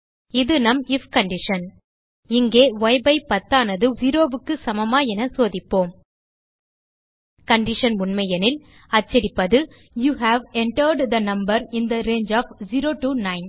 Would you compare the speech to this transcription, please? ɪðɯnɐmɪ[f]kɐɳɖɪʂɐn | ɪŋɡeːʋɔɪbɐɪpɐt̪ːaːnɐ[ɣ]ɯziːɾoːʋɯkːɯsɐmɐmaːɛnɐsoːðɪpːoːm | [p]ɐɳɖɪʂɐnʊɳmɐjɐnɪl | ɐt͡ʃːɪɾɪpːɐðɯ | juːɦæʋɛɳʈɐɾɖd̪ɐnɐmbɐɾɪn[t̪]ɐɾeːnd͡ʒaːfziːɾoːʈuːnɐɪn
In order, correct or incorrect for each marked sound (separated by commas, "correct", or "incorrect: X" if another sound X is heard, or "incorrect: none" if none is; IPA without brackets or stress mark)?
correct, incorrect: ð, incorrect: k, incorrect: d̪